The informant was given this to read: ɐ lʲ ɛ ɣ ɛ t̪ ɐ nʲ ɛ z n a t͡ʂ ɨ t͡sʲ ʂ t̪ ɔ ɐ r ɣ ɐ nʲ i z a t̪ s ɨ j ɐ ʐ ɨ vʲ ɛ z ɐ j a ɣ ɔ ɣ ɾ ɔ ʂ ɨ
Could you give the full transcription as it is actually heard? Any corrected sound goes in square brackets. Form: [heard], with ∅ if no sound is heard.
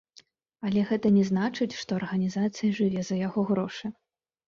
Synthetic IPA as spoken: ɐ lʲ ɛ ɣ ɛ t̪ ɐ nʲ ɛ z n a t͡ʂ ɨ t͡sʲ ʂ t̪ ɔ ɐ r ɣ ɐ nʲ i z a t̪ s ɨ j ɐ ʐ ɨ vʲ ɛ z ɐ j a ɣ ɔ ɣ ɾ ɔ ʂ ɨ